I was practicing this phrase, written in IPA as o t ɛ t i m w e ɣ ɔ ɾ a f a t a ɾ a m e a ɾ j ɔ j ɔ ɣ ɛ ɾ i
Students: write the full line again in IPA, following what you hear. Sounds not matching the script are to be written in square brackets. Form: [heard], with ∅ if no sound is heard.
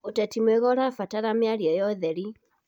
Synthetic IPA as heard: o t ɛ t i m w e ɣ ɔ ɾ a f a t a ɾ a m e a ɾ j ɔ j ɔ [ð] ɛ ɾ i